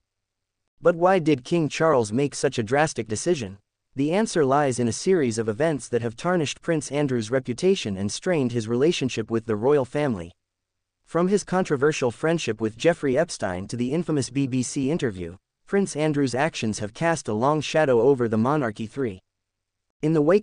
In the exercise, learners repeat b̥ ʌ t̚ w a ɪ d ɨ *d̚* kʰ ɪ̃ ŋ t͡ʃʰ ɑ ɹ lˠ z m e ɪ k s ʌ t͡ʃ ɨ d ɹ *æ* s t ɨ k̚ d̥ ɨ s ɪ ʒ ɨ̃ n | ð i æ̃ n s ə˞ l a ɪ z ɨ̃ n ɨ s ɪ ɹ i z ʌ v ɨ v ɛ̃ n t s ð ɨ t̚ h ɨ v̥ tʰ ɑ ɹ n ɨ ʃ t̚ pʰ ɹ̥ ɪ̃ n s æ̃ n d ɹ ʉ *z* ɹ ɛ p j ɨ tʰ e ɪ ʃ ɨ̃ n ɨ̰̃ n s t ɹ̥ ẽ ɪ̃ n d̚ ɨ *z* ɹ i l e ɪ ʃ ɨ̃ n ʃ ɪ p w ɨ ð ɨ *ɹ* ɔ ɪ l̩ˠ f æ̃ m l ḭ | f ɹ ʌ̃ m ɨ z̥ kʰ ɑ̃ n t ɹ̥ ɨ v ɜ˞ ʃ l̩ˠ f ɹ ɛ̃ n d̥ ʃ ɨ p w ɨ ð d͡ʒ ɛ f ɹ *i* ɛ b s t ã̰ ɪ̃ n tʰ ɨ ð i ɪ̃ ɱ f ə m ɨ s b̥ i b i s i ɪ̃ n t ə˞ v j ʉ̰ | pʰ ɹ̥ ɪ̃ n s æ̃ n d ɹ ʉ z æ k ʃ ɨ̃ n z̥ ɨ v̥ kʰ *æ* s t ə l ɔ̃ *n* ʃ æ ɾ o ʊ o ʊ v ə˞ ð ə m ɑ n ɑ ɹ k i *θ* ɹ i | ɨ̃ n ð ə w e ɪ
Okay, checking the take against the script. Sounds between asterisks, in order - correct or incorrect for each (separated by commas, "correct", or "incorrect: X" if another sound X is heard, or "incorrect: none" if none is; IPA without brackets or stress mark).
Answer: correct, correct, correct, correct, correct, correct, correct, incorrect: ŋ, correct